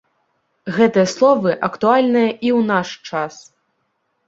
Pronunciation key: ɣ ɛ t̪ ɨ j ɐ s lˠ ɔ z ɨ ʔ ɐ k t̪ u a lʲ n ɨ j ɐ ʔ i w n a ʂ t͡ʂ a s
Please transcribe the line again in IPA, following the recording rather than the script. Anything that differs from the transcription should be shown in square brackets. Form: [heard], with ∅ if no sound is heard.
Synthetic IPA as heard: ɣ ɛ t̪ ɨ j ɐ s lˠ ɔ [v] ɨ ʔ ɐ k t̪ u a lʲ n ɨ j ɐ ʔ i w n a ʂ t͡ʂ a s

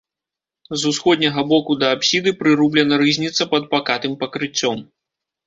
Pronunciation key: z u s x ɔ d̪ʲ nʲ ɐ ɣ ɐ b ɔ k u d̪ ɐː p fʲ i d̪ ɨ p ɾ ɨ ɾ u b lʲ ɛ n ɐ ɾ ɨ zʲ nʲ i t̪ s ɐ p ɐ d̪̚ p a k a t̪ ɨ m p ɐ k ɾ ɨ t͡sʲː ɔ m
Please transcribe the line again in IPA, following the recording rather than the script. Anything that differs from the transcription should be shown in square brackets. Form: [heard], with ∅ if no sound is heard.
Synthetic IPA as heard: z u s x ɔ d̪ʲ nʲ ɐ ɣ ɐ b ɔ k u d̪ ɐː p [sʲ] i d̪ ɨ p ɾ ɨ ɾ u b lʲ ɛ n ɐ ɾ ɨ zʲ nʲ i t̪ s ɐ p ɐ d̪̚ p a k a t̪ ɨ m p ɐ k ɾ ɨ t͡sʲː ɔ m

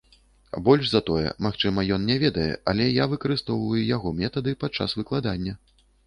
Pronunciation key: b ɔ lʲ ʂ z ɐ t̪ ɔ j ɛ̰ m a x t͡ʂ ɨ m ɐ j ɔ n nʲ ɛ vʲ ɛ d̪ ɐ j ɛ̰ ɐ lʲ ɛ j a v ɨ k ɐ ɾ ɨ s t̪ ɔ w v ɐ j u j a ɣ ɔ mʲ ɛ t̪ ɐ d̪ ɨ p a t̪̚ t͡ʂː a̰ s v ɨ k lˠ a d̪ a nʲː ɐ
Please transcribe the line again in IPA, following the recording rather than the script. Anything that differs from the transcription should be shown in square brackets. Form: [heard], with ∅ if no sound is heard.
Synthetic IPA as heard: b ɔ lʲ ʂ z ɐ t̪ ɔ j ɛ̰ m a x t͡ʂ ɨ m ɐ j ɔ n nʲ ɛ vʲ ɛ d̪ ɐ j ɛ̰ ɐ lʲ ɛ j a v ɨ k ɐ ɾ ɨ s t̪ ɔ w v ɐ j u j a ɣ ɔ mʲ ɛ t̪ ɐ d̪ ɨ p a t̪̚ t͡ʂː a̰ s v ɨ k lˠ a d̪ a nʲː ɐ

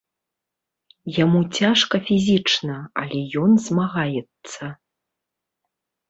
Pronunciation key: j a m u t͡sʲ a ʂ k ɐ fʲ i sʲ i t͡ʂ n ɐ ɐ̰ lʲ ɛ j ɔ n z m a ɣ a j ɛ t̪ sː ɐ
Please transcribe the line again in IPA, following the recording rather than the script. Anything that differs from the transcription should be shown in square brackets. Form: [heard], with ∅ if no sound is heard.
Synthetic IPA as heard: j a m u t͡sʲ a ʂ k ɐ fʲ i [zʲ] i t͡ʂ n ɐ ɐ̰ lʲ ɛ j ɔ n z m a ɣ a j ɛ t̪ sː ɐ

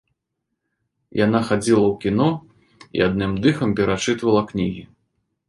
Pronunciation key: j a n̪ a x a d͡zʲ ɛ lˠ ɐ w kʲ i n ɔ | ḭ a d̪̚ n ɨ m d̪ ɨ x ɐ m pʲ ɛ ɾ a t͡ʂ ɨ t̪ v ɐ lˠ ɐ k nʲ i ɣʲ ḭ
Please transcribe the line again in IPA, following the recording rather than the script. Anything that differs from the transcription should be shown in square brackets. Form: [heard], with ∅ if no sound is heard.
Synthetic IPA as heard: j a n̪ a x a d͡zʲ [i] lˠ ɐ w kʲ i n ɔ | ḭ a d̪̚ n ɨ m d̪ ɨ x ɐ m pʲ ɛ ɾ a t͡ʂ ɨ t̪ v ɐ lˠ ɐ k nʲ i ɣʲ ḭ

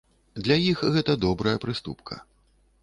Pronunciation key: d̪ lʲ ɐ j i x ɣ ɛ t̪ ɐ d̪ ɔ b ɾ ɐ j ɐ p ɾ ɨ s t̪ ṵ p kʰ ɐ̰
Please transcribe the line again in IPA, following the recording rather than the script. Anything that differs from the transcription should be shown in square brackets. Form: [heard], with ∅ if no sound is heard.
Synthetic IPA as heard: d̪ lʲ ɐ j i x ɣ ɛ t̪ ɐ d̪ ɔ b ɾ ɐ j ɐ p ɾ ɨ s t̪ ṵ p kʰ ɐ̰

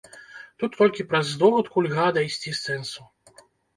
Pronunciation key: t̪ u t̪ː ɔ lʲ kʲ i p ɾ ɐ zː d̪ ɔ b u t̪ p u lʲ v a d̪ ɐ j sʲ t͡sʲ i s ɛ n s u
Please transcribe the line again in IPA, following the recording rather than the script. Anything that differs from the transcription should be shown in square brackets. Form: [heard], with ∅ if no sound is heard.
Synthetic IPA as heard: t̪ u t̪ː ɔ lʲ kʲ i p ɾ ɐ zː d̪ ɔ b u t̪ [k] u lʲ [ɣ] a d̪ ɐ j sʲ t͡sʲ i s ɛ n s u

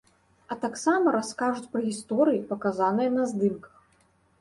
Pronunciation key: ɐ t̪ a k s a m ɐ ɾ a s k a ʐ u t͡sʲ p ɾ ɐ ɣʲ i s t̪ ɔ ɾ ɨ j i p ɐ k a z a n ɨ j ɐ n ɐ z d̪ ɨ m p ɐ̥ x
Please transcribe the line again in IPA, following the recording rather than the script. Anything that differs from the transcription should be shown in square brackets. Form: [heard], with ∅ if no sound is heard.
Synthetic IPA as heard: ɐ t̪ a k s a m ɐ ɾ a s k a ʐ u t͡sʲ p ɾ ɐ ɣʲ i s t̪ ɔ ɾ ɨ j i p ɐ k a z a n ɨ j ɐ n ɐ z d̪ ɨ m [k] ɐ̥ x

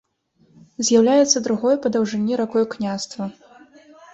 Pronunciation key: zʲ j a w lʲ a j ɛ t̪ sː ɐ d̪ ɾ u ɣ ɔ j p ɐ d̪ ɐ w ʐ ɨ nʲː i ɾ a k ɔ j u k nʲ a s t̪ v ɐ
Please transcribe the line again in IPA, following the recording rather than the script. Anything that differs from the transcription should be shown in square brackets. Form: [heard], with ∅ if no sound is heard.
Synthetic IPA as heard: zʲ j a w lʲ a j ɛ t̪ sː ɐ d̪ ɾ u ɣ ɔ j p ɐ d̪ ɐ w ʐ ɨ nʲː i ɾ a k ɔ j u k nʲ a s t̪ v ɐ

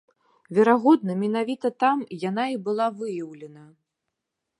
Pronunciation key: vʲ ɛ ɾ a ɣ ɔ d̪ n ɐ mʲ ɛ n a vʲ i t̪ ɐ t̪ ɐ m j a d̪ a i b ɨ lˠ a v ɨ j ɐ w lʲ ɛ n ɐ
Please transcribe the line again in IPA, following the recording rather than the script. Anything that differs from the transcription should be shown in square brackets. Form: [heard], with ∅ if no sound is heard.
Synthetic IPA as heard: vʲ ɛ ɾ a ɣ ɔ d̪ n ɐ mʲ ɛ n a vʲ i t̪ ɐ t̪ [a] m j a [n̪] a i b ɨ lˠ a v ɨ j ɐ w lʲ ɛ n ɐ

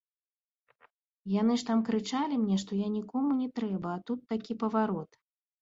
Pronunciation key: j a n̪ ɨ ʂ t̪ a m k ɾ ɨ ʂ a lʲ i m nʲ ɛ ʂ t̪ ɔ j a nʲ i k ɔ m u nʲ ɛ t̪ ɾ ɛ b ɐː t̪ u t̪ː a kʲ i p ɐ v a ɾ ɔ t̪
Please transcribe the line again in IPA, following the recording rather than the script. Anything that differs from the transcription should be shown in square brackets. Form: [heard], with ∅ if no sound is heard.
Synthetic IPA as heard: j a n̪ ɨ ʂ t̪ a m k ɾ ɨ [t͡ʂ] a lʲ i m nʲ ɛ ʂ t̪ ɔ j a nʲ i k ɔ m u nʲ ɛ t̪ ɾ ɛ b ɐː t̪ u t̪ː a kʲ i p ɐ v a ɾ ɔ t̪

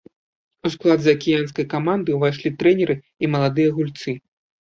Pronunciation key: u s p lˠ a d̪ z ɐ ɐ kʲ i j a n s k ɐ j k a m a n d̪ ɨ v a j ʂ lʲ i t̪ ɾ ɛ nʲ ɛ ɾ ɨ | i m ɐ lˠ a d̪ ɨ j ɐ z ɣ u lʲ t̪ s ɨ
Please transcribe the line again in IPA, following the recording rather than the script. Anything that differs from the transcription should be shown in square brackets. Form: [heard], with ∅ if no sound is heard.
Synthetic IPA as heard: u s [k] lˠ a d̪ z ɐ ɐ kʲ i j a n s k ɐ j k a m a n d̪ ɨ v a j ʂ lʲ i t̪ ɾ ɛ nʲ ɛ ɾ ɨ | i m ɐ lˠ a d̪ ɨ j ɐ [∅] ɣ u lʲ t̪ s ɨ

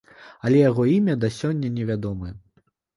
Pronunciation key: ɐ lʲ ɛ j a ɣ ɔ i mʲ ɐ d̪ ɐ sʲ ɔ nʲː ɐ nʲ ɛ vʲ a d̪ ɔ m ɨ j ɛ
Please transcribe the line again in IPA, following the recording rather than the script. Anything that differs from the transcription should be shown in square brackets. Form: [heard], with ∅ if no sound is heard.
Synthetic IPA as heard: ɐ lʲ ɛ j a ɣ ɔ i mʲ ɐ d̪ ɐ sʲ ɔ nʲː ɐ nʲ ɛ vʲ a d̪ ɔ m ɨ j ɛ

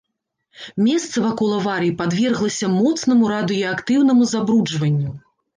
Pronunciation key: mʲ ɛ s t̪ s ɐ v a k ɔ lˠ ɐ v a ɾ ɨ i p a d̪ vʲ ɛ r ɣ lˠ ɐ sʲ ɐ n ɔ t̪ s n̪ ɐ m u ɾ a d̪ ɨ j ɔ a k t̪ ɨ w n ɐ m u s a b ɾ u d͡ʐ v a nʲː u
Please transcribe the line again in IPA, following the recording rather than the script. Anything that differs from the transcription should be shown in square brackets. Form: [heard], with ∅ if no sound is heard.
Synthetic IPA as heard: mʲ ɛ s t̪ s ɐ v a k ɔ lˠ ɐ v a ɾ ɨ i p a d̪ vʲ ɛ r ɣ lˠ ɐ sʲ ɐ [m] ɔ t̪ s n̪ ɐ m u ɾ a d̪ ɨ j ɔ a k t̪ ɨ w n ɐ m u [z] a b ɾ u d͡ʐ v [ɐ] nʲː u

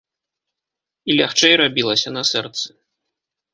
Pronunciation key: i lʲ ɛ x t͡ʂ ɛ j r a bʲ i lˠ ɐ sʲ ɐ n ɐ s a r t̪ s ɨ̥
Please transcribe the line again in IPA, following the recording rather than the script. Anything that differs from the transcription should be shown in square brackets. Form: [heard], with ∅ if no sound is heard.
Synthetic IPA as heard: i lʲ [a] x t͡ʂ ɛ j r a bʲ i lˠ ɐ sʲ ɐ n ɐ s [ɛ] r t̪ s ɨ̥

